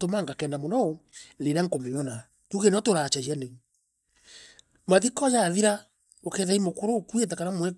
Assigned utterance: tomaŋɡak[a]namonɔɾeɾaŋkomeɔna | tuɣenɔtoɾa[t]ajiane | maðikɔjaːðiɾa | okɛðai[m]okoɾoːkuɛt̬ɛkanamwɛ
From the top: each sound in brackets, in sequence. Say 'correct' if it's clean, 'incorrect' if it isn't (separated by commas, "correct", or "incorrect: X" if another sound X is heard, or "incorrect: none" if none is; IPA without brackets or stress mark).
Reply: incorrect: ɛ, incorrect: t͡ʃ, correct